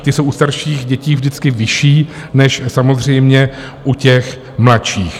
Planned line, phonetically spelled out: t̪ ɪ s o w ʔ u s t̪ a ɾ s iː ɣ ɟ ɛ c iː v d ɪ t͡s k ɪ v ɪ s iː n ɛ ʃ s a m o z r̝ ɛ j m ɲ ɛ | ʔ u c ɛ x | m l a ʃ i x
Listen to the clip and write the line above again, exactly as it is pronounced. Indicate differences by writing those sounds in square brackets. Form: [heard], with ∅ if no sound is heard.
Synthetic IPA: t̪ ɪ s o w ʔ u s t̪ a ɾ [ʃ] iː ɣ ɟ ɛ c iː v d ɪ t͡s k ɪ v ɪ [ʃ] iː n ɛ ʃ s a m o z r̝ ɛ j m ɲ ɛ | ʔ u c ɛ x | m l a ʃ [iː] x